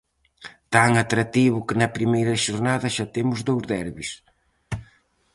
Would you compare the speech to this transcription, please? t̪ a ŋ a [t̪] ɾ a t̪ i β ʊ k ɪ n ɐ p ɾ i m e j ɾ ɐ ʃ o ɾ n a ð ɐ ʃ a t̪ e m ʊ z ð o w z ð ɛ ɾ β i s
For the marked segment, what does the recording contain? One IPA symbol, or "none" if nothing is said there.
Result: t̪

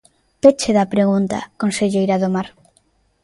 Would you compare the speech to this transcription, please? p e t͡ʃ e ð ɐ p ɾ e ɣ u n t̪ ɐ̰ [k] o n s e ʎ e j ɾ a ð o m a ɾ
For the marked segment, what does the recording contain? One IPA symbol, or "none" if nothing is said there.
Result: k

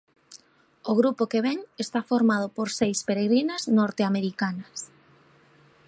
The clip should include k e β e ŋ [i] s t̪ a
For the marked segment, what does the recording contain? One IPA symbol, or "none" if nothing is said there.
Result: e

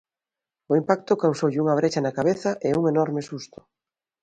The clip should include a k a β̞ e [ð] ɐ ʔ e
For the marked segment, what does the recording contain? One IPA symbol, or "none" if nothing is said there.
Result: θ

